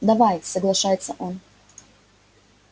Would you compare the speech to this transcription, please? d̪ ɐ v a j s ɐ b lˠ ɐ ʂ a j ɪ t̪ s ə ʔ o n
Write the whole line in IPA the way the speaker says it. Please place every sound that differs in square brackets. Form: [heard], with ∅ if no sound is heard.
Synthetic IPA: d̪ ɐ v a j s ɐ [ɡ] lˠ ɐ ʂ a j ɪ t̪ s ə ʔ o n